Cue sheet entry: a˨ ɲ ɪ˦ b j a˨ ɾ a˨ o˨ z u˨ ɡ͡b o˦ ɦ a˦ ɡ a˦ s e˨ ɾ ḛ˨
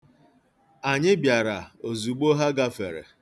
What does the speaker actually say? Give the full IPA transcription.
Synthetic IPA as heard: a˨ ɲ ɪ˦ b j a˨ ɾ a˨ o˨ z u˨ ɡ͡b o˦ ɦ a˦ ɡ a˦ f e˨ ɾ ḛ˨